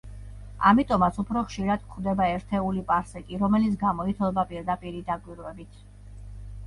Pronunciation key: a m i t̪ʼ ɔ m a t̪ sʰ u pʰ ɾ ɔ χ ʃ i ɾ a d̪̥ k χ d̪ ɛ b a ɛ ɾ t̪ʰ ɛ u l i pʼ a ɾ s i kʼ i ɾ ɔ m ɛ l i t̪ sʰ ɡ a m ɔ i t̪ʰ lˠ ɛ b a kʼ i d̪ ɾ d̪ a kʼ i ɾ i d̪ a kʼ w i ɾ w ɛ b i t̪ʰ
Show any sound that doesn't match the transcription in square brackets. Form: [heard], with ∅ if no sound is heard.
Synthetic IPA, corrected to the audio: a m i t̪ʼ ɔ m a t̪ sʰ u pʰ ɾ ɔ χ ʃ i ɾ a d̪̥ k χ d̪ ɛ b a ɛ ɾ t̪ʰ ɛ u l i pʼ a ɾ s [ɛ] kʼ i ɾ ɔ m ɛ l i t̪ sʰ ɡ a m ɔ i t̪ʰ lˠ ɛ b a [pʼ] i [∅] ɾ d̪ a [pʼ] i ɾ i d̪ a kʼ w i ɾ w ɛ b i t̪ʰ